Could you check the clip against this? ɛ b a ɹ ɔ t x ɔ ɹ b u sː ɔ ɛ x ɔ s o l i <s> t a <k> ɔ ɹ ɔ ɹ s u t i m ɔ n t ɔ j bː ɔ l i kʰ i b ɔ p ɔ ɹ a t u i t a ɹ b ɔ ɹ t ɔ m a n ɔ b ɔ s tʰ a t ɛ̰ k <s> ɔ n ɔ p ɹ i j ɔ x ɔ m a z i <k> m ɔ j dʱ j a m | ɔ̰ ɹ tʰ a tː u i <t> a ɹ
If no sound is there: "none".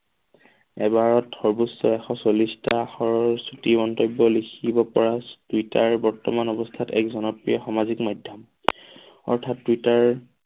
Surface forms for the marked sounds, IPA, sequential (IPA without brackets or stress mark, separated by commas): s, x, z, k, t